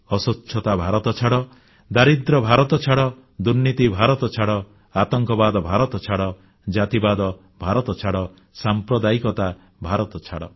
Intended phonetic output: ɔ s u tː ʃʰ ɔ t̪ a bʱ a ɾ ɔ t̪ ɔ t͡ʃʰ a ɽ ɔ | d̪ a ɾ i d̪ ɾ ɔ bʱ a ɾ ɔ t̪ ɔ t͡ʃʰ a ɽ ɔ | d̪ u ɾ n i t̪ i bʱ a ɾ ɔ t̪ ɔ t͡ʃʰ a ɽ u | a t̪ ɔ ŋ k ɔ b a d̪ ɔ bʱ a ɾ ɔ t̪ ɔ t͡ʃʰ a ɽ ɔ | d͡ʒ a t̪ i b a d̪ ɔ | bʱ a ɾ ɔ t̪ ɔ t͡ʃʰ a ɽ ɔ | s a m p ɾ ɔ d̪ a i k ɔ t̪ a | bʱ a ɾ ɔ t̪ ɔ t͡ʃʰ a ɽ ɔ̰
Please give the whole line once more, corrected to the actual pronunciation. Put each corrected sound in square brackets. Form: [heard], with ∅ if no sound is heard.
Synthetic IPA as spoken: ɔ s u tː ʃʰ ɔ t̪ a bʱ a ɾ ɔ t̪ ɔ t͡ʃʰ a ɽ ɔ | d̪ a ɾ i d̪ ɾ ɔ bʱ a ɾ ɔ t̪ ɔ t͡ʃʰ a ɽ ɔ | d̪ u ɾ n i t̪ i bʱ a ɾ ɔ t̪ ɔ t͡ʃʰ a ɽ [ɔ] | a t̪ ɔ ŋ k ɔ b a d̪ ɔ bʱ a ɾ ɔ t̪ ɔ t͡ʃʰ a ɽ ɔ | d͡ʒ a t̪ i b a d̪ ɔ | bʱ a ɾ ɔ t̪ ɔ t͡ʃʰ a ɽ ɔ | s a m p ɾ ɔ d̪ a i k ɔ t̪ a | bʱ a ɾ ɔ t̪ ɔ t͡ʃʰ a ɽ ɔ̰

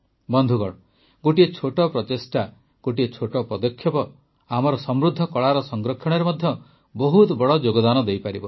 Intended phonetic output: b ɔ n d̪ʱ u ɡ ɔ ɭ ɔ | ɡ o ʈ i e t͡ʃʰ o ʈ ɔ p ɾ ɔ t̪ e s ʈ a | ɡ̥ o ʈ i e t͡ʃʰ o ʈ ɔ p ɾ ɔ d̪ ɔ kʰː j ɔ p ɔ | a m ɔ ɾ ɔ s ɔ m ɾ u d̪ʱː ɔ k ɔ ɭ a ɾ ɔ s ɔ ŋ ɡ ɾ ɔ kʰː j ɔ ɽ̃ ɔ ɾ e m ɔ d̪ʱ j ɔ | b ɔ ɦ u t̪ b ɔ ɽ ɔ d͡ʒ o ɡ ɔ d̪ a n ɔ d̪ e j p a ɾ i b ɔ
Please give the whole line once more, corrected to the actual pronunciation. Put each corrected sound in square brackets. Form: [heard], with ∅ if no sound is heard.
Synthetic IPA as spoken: b ɔ n d̪ʱ u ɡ ɔ ɭ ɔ | ɡ o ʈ i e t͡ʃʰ o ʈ ɔ p ɾ ɔ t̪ e s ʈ a | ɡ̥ o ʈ i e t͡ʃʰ o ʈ ɔ p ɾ ɔ d̪ ɔ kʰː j ɔ p ɔ | a m ɔ ɾ ɔ s ɔ m ɾ u d̪ʱː ɔ k ɔ ɭ a ɾ ɔ s ɔ ŋ ɡ ɾ ɔ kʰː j ɔ ɽ̃ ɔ ɾ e m ɔ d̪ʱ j ɔ | b ɔ ɦ u t̪ b ɔ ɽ ɔ d͡ʒ o ɡ ɔ d̪ a n ɔ d̪ e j p a ɾ i b ɔ

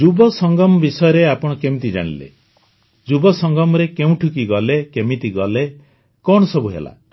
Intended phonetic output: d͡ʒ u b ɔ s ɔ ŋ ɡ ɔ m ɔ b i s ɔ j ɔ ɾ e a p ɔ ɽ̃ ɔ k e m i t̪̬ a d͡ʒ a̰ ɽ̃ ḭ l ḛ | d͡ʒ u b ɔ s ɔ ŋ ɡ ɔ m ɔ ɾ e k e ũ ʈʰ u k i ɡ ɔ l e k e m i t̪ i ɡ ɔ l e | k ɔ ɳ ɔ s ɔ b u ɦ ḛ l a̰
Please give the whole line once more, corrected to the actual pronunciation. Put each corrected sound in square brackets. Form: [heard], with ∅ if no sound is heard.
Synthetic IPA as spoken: d͡ʒ u b ɔ s ɔ ŋ ɡ ɔ m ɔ b i s ɔ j ɔ ɾ e a p ɔ ɽ̃ ɔ k e m i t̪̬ [i] d͡ʒ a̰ ɽ̃ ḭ l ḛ | d͡ʒ u b ɔ s ɔ ŋ ɡ ɔ m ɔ ɾ e k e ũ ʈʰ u k i ɡ ɔ l e k e m i t̪ i ɡ ɔ l e | k ɔ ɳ ɔ s ɔ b u ɦ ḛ l a̰

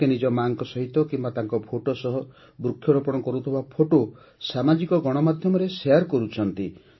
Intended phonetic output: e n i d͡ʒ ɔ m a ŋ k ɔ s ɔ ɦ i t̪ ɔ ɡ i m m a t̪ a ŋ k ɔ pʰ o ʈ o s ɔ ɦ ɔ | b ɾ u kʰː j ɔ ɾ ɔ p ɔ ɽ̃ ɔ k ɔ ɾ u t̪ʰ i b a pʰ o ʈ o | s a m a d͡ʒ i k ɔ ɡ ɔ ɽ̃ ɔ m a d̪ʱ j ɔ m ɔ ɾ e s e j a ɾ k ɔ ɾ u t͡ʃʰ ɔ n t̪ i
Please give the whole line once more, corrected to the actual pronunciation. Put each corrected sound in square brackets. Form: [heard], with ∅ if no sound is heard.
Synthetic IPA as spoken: e n i d͡ʒ ɔ m a ŋ k ɔ s ɔ ɦ i t̪ ɔ [k] i m [b] a t̪ a ŋ k ɔ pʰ o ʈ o s ɔ ɦ ɔ | b ɾ u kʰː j ɔ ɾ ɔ p ɔ ɽ̃ ɔ k ɔ ɾ u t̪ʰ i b a pʰ o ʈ o | s a m a d͡ʒ i k ɔ ɡ ɔ ɽ̃ ɔ m a d̪ʱ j ɔ m ɔ ɾ e s e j a ɾ k ɔ ɾ u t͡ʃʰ ɔ n t̪ i

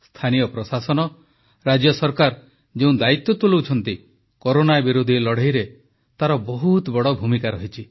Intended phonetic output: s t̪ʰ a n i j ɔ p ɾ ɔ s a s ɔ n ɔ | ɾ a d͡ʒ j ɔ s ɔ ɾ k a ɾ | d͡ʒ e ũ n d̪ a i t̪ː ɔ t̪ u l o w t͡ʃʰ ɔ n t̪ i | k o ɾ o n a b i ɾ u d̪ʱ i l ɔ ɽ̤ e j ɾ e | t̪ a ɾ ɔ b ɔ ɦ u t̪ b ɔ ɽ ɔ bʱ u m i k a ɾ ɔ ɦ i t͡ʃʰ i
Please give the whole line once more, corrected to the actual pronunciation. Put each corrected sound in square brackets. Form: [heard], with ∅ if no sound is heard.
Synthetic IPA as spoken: s t̪ʰ a n i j ɔ p ɾ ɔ s a s ɔ n ɔ | ɾ a d͡ʒ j ɔ s ɔ ɾ k a ɾ | d͡ʒ e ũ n d̪ a i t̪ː ɔ t̪ u l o w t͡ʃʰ ɔ n t̪ i | k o ɾ o n a b i ɾ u d̪ʱ i l ɔ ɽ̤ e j ɾ e | t̪ a ɾ ɔ b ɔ ɦ u t̪ b ɔ ɽ ɔ bʱ u m i k a ɾ ɔ ɦ i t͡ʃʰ i

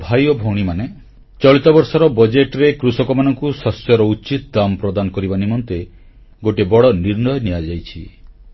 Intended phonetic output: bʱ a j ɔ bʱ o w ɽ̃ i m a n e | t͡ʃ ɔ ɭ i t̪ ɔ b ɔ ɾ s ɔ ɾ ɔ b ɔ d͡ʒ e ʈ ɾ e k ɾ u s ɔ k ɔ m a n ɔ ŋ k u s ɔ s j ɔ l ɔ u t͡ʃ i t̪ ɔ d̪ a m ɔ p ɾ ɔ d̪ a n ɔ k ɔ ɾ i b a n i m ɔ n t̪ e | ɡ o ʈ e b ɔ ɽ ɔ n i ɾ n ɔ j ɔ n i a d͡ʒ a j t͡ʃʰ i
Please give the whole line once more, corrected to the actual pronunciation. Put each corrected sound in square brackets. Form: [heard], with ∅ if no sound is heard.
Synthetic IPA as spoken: bʱ a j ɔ bʱ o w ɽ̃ i m a n e | t͡ʃ ɔ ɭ i t̪ ɔ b ɔ ɾ s ɔ ɾ ɔ b ɔ d͡ʒ e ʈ ɾ e k ɾ u s ɔ k ɔ m a n ɔ ŋ k u s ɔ s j ɔ [ɾ] ɔ u t͡ʃ i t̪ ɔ d̪ a m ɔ p ɾ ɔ d̪ a n ɔ k ɔ ɾ i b a n i m ɔ n t̪ e | ɡ o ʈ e b ɔ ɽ ɔ n i ɾ n ɔ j ɔ n i a d͡ʒ a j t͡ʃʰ i

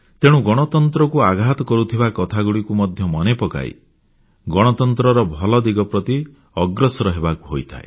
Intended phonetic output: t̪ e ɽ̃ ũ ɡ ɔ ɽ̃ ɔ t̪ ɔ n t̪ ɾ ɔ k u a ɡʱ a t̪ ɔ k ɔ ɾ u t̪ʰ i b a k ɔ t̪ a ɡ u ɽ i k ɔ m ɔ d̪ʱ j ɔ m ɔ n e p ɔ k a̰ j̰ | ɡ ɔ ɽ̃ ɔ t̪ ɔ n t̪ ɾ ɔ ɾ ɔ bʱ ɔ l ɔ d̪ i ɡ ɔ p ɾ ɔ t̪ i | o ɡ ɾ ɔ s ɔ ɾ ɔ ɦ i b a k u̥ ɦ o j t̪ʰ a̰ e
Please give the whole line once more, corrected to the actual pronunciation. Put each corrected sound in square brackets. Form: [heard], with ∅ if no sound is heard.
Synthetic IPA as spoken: t̪ e ɽ̃ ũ ɡ ɔ ɽ̃ ɔ t̪ ɔ n t̪ ɾ ɔ k u a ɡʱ a t̪ ɔ k ɔ ɾ u t̪ʰ i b a k ɔ [t̪ʰ] a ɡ u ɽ i k [u] m ɔ d̪ʱ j ɔ m ɔ n e p ɔ k a̰ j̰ | ɡ ɔ ɽ̃ ɔ t̪ ɔ n t̪ ɾ ɔ ɾ ɔ bʱ ɔ l ɔ d̪ i ɡ ɔ p ɾ ɔ t̪ i | [ɔ] ɡ ɾ ɔ s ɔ ɾ ɔ ɦ [e] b a k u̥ ɦ o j t̪ʰ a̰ e

